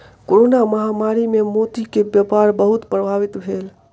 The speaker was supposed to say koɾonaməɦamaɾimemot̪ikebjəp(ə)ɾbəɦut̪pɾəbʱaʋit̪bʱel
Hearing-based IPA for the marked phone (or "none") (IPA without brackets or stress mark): a